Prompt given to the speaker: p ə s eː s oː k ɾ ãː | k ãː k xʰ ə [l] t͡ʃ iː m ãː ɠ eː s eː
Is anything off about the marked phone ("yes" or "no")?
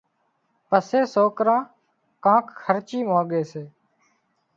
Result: yes